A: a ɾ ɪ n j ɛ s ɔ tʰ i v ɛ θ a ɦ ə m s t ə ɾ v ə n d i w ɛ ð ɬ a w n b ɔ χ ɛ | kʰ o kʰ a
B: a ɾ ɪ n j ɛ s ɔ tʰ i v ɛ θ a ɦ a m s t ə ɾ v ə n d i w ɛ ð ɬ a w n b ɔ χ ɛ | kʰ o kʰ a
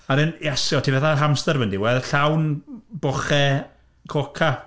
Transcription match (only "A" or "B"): B